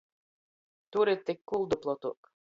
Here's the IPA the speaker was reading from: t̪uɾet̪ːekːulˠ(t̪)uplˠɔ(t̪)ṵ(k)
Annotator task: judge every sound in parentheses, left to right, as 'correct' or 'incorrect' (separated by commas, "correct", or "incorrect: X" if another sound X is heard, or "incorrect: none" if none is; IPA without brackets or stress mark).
incorrect: d̪, correct, correct